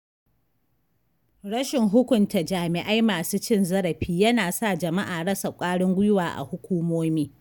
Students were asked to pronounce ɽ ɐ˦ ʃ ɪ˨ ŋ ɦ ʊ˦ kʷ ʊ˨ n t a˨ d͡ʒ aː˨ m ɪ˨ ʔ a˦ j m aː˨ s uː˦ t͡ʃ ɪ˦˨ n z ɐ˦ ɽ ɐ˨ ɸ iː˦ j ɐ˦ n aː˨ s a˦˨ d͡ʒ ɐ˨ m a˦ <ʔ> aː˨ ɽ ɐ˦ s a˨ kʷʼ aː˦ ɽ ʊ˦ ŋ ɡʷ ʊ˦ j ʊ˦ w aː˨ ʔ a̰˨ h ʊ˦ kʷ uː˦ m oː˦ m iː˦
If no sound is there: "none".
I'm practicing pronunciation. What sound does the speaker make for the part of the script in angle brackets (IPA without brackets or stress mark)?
ʔ